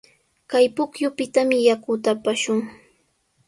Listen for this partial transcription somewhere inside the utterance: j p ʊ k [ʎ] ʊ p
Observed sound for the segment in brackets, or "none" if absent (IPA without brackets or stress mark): j